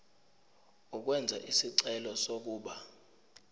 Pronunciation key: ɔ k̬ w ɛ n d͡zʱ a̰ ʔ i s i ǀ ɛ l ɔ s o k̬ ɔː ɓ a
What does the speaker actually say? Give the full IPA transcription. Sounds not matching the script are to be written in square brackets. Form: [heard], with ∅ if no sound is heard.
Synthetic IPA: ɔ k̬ w ɛ n d͡zʱ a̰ ʔ i s i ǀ ɛ l ɔ s o k̬ [uː] ɓ a